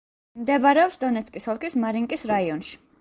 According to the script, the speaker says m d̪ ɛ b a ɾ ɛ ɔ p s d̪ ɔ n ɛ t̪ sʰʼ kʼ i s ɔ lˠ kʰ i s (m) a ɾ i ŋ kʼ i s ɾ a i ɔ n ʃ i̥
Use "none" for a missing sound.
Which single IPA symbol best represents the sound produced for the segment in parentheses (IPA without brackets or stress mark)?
m